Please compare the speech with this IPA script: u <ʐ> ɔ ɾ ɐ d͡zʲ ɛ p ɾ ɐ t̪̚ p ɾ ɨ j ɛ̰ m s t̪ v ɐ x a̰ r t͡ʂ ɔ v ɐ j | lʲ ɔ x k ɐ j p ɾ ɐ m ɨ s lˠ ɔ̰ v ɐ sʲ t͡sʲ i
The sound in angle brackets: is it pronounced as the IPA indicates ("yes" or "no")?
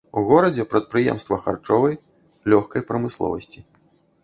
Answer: no